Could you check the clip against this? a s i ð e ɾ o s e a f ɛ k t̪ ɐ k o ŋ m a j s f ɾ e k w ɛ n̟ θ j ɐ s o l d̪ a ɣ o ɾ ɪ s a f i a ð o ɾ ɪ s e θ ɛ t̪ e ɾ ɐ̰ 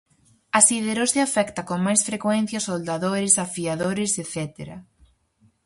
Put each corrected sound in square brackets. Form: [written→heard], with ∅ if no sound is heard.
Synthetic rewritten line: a s i ð e ɾ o s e a f ɛ k t̪ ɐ k o ŋ m a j s f ɾ e k w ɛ n̟ θ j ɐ s o l d̪ a [ɣ→ð] o ɾ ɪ s a f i a ð o ɾ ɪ s e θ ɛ t̪ e ɾ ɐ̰